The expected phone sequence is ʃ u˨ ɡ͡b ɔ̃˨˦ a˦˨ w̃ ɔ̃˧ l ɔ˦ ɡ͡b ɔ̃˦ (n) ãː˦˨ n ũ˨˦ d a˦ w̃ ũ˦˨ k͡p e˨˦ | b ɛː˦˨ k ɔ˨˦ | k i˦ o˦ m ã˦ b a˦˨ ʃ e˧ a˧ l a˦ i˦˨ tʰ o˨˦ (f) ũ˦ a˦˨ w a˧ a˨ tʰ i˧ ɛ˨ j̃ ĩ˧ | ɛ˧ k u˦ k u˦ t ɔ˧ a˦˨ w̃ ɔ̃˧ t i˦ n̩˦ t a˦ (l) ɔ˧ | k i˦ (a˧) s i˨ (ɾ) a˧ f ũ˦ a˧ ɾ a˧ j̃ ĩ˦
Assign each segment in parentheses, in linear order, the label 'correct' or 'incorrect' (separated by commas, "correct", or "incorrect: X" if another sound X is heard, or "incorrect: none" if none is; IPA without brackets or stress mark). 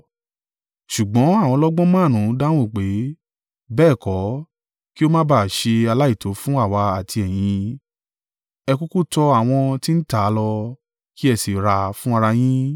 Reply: incorrect: m, correct, correct, incorrect: ɛ˧, correct